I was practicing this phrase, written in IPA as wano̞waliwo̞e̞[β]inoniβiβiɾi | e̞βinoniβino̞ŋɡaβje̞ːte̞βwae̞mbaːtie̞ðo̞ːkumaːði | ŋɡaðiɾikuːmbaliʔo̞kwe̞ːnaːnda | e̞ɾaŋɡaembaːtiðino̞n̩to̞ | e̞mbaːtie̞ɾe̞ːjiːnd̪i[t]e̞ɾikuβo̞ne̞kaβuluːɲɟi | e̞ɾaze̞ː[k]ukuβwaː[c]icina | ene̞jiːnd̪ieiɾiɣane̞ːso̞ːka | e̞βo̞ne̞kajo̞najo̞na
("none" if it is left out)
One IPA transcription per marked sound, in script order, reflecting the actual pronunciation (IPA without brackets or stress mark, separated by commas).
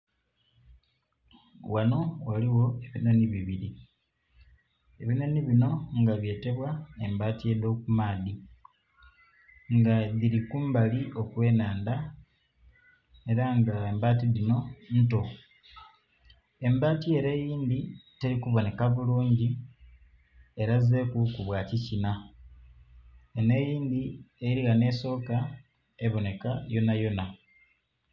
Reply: β, t, k, c